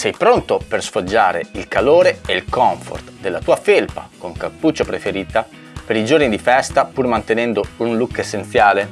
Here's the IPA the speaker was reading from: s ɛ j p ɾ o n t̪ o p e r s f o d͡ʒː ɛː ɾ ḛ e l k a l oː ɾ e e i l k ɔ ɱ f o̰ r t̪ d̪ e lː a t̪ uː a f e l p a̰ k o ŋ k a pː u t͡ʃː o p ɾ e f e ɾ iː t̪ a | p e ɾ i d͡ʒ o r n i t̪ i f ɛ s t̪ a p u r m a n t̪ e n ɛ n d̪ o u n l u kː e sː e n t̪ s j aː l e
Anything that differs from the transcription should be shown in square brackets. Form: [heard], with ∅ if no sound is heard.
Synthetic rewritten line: s ɛ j p ɾ o n t̪ o p e r s f o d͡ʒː [aː] ɾ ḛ [i] l k a l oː ɾ e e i l k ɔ ɱ f o̰ r t̪ d̪ e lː a t̪ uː a f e l p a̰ k o ŋ k a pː u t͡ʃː o p ɾ e f e ɾ iː t̪ a | p e ɾ i d͡ʒ o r n i [d̪] i f ɛ s t̪ a p u r m a n t̪ e n ɛ n d̪ o u n l u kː e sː e n t̪ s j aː l e